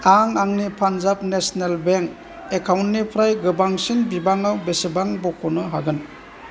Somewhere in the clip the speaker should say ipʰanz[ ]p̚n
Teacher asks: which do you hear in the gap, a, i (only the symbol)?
a